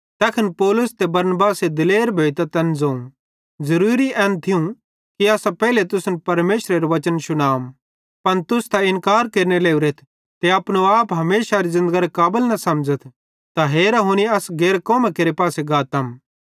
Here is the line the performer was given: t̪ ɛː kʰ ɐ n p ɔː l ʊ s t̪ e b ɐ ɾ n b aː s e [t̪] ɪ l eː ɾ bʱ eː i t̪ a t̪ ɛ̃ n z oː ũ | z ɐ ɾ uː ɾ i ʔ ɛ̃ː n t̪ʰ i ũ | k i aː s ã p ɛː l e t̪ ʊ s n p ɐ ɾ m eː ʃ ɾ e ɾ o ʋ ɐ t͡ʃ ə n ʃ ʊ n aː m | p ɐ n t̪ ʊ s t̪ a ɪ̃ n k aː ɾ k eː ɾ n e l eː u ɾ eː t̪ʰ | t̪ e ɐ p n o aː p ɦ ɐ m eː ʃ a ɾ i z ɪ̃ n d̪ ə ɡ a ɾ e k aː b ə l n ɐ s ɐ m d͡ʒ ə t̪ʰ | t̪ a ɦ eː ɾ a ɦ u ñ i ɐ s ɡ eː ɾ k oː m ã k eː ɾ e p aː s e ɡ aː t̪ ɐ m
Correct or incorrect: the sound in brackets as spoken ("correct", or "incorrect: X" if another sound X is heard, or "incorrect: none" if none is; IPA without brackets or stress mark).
incorrect: d̪